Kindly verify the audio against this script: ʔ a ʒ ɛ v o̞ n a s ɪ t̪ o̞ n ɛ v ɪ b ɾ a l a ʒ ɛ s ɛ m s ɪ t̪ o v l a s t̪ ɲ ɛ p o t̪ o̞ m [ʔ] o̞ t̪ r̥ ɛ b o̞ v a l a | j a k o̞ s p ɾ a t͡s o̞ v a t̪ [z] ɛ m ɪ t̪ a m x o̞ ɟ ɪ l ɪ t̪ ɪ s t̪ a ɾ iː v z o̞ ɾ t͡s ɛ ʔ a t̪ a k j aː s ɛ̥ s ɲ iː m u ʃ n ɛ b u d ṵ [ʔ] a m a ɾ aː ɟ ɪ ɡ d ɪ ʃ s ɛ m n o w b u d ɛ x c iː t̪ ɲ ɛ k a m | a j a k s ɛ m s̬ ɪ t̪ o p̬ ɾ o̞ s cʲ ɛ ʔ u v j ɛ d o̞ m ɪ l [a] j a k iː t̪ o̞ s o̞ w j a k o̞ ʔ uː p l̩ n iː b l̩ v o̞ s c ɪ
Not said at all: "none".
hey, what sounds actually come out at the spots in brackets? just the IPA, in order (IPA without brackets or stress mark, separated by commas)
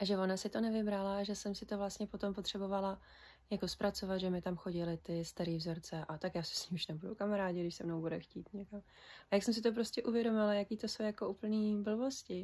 p, ʒ, k, a